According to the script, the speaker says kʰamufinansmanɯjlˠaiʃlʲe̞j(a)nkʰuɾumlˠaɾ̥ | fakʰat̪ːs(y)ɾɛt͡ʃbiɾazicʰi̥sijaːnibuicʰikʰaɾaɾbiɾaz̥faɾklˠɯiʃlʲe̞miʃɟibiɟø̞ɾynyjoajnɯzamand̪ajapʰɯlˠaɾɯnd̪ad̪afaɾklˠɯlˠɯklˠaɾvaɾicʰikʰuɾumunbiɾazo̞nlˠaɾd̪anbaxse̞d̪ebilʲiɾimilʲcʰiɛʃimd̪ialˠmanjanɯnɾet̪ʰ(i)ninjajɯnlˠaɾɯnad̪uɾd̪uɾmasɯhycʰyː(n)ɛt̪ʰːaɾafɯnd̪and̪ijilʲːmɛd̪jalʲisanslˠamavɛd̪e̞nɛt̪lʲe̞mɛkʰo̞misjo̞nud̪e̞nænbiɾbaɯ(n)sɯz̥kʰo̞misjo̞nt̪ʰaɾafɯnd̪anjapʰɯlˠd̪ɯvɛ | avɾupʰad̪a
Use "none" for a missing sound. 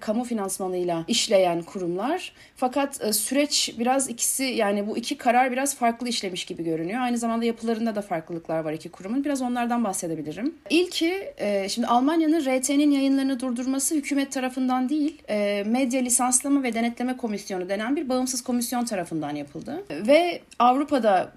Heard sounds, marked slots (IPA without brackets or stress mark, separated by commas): æ, y, e, m, m